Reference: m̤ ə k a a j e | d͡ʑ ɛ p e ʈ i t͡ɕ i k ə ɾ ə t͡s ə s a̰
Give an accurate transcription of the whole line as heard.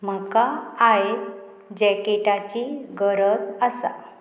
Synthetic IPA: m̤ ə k a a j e | d͡ʑ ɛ k e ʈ a t͡ɕ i ɡ ə ɾ ə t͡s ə s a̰